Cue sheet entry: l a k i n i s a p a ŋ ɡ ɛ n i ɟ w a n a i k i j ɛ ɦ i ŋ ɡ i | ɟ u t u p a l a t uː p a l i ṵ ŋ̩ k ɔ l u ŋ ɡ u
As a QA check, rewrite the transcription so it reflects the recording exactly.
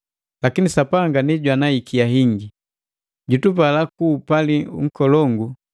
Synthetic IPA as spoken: l a k i n i s a p a ŋ ɡ a n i ɟ w a n a i k i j a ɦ i ŋ ɡ i | ɟ u t u p a l a k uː p a l i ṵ ŋ̩ k ɔ l ɔ ŋ ɡ u